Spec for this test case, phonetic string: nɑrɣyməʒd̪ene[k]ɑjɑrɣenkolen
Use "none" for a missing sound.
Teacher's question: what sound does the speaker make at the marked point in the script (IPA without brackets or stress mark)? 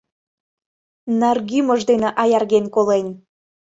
ʔ